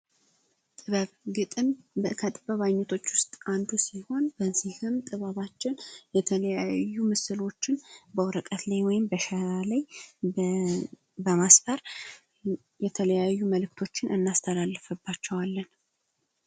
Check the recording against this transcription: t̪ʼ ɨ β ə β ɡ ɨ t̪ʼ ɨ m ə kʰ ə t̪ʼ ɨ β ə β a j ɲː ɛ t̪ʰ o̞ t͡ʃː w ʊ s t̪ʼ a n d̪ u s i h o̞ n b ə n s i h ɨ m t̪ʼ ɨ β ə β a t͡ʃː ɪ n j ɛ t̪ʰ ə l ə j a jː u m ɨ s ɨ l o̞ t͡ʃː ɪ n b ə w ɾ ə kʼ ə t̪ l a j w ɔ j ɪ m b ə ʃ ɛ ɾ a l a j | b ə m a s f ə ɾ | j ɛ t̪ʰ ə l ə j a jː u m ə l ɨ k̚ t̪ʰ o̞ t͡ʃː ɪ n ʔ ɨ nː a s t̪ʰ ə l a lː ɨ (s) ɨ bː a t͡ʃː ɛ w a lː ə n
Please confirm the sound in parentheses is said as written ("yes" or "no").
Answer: no